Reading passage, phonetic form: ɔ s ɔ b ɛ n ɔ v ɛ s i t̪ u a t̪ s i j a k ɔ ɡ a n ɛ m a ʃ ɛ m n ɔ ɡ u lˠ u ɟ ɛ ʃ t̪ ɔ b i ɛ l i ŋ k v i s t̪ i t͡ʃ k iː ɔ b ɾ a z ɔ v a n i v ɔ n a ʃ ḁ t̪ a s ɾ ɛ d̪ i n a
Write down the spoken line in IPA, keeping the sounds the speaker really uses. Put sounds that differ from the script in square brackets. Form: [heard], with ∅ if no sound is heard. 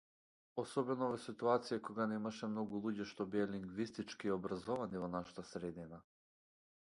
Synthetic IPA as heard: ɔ s ɔ b ɛ n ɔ v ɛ s i t̪ u a t̪ s i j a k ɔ ɡ a n ɛ m a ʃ ɛ m n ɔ ɡ u lˠ u ɟ ɛ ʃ t̪ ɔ b i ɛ l i ŋ [ɡ] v i s t̪ i t͡ʃ k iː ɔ b ɾ a z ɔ v a n i v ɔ n a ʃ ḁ t̪ a s ɾ ɛ d̪ i n a